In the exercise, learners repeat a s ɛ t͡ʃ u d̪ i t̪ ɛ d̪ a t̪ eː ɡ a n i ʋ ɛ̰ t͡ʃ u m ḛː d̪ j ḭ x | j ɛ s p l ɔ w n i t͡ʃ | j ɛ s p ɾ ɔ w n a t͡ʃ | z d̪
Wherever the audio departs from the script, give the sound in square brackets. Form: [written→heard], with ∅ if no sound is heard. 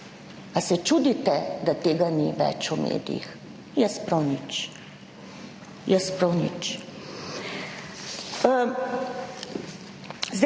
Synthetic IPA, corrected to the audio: a s ɛ t͡ʃ u d̪ i t̪ ɛ d̪ a t̪ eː ɡ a n i ʋ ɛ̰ t͡ʃ u m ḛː d̪ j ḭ x | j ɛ s p [l→ɾ] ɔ w n i t͡ʃ | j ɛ s p ɾ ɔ w n [a→i] t͡ʃ | z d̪